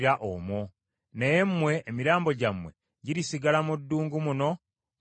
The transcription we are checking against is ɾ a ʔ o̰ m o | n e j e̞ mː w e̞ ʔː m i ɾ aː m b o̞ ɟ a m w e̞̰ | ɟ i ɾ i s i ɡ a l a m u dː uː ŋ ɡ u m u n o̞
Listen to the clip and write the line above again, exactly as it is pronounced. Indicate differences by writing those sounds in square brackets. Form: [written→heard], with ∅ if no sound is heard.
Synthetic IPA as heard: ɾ a ʔ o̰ m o | n e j e̞ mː w e̞ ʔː m i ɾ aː m b o̞ ɟ a m w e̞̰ | ɟ i ɾ i s i ɡ a l a m u dː uː ŋ ɡ u m u n o̞